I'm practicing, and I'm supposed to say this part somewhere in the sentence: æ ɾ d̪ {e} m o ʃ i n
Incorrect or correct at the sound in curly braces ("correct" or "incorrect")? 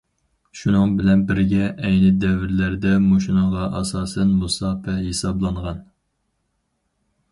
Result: incorrect